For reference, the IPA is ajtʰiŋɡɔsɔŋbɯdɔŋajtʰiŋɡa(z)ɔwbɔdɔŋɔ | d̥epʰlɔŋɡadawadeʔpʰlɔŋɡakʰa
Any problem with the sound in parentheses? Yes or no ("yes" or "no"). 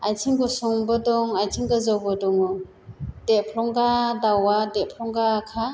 no